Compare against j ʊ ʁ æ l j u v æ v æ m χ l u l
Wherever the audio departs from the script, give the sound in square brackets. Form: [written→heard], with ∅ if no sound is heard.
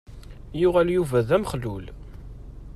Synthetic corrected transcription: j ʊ ʁ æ l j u v æ [v→ð] æ m χ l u l